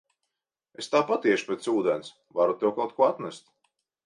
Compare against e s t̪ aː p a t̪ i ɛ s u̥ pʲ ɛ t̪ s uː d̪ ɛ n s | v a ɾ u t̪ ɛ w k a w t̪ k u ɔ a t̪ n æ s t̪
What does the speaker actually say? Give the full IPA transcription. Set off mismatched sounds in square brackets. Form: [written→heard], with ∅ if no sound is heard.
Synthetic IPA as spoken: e s t̪ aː p a t̪ i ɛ [s→ʃ] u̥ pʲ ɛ t̪ s uː d̪ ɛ n s | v a ɾ u t̪ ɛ w k a w t̪ k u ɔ a t̪ n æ s t̪